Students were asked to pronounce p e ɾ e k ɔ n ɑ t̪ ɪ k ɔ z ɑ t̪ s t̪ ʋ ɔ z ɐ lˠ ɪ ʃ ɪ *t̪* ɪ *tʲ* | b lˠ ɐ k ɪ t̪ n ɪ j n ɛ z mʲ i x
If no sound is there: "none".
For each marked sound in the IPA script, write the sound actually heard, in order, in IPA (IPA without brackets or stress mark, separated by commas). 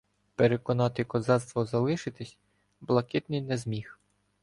t̪, sʲ